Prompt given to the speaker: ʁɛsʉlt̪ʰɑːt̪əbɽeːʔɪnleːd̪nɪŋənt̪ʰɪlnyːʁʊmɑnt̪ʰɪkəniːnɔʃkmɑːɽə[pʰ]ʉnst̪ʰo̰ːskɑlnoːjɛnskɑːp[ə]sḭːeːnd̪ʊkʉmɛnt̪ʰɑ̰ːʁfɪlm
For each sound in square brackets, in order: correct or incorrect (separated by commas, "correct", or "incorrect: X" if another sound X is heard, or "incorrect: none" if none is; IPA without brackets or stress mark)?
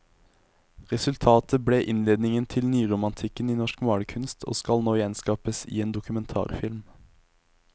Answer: incorrect: kʰ, correct